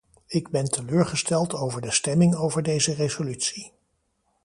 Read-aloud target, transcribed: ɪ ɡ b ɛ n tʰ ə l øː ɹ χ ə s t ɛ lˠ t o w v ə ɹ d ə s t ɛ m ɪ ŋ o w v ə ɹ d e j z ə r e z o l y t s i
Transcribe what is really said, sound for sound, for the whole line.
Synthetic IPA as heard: ɪ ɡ b ɛ n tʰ ə l øː ɹ χ ə s t ɛ lˠ t o w v ə ɹ d ə s t ɛ m ɪ ŋ o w v ə ɹ d e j z ə r e z o l y t s i